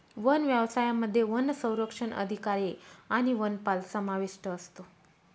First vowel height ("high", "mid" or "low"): mid